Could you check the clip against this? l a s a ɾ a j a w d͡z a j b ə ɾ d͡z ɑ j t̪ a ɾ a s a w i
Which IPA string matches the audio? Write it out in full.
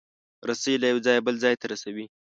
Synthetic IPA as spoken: ɾ a s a l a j a w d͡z ɑ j b ə l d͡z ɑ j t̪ a ɾ a s a w i